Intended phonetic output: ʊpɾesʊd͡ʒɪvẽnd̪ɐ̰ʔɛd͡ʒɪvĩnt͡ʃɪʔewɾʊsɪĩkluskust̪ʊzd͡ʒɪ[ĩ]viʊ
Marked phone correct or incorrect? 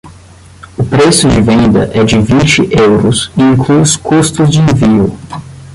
incorrect